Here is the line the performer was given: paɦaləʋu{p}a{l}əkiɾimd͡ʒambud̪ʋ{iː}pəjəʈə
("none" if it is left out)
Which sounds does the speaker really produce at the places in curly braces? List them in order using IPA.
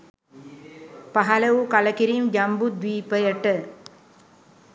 k, l, iː

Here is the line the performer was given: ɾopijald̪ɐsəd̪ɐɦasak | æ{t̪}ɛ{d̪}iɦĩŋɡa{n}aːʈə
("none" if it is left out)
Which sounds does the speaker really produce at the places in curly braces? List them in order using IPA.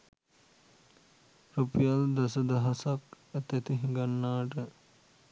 t̪, t̪, nː

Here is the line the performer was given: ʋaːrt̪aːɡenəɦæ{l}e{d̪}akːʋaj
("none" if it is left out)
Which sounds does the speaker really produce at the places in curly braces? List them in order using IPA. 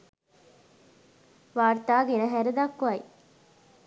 ɾ, d̪

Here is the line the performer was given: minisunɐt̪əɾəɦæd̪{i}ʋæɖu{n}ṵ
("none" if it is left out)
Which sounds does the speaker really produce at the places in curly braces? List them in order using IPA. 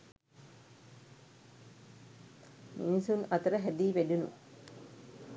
iː, n

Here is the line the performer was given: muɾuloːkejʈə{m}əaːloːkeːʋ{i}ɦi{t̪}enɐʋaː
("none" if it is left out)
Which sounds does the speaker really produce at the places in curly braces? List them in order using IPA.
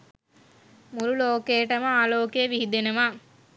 m, i, d̪

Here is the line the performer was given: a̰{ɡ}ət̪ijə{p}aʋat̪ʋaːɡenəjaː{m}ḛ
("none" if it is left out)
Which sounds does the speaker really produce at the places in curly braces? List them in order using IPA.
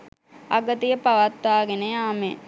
ɡ, p, m

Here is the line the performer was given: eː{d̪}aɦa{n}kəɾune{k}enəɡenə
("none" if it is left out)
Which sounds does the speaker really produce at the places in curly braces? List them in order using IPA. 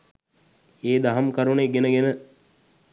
d̪, m, ɡ

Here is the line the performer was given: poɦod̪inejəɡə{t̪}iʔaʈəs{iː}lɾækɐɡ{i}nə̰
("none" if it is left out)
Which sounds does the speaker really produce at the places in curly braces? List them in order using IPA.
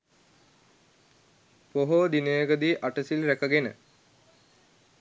d̪, i, e

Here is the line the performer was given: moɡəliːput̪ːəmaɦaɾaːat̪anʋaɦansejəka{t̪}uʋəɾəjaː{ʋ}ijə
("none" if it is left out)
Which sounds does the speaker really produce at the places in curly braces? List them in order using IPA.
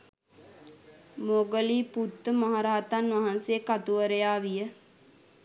t̪, ʋ

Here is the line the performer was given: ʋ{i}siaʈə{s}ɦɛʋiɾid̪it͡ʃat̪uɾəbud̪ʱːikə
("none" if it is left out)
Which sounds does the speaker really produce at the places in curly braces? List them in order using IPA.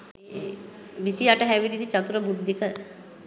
i, none

